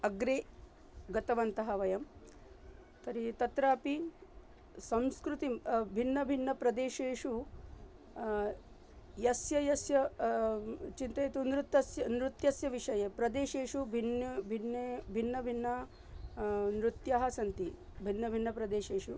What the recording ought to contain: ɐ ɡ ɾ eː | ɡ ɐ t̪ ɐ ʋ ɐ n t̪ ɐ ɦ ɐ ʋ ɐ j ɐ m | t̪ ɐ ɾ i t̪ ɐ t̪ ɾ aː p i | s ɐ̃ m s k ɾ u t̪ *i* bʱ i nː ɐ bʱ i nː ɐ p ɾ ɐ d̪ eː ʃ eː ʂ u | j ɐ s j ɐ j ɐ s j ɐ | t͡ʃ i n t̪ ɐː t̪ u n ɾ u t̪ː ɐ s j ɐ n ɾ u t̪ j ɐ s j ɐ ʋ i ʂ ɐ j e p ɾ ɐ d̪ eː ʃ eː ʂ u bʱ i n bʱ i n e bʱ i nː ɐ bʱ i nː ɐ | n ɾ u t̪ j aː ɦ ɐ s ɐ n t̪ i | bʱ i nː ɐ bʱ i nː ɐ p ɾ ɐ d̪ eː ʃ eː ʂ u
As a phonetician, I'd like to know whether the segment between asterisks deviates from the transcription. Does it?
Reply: no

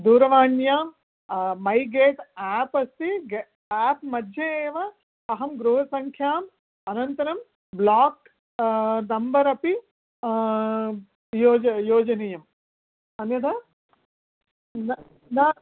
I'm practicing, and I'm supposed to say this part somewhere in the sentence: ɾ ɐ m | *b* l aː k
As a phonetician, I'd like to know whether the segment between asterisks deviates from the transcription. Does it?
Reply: no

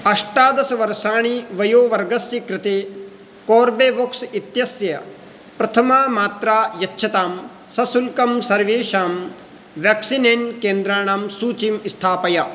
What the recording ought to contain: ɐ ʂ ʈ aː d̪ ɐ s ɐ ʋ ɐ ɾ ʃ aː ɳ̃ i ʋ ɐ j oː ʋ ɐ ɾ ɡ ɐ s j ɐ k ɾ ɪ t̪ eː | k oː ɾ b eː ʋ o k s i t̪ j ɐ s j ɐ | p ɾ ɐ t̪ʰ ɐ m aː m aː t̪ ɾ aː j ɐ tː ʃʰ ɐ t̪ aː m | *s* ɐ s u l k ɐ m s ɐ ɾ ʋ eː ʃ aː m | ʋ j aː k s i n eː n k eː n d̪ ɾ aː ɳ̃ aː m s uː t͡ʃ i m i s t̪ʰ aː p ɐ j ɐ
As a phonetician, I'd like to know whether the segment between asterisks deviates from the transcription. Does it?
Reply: no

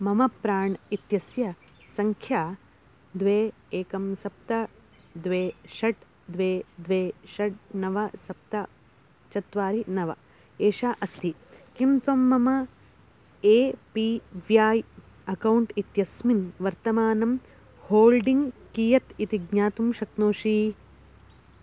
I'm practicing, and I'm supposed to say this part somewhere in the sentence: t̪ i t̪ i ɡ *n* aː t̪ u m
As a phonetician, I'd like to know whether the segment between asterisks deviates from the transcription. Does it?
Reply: yes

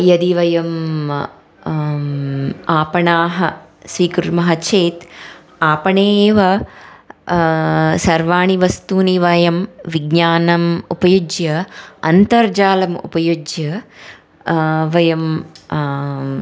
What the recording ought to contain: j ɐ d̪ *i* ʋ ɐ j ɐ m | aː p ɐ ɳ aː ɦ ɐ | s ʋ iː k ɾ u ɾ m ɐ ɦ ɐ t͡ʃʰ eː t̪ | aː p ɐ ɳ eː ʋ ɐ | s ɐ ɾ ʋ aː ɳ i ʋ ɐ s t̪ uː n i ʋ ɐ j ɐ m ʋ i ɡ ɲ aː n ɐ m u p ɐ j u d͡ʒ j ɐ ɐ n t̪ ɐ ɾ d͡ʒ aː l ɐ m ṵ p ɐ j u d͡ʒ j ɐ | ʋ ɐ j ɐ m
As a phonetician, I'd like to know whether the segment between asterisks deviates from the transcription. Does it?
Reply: no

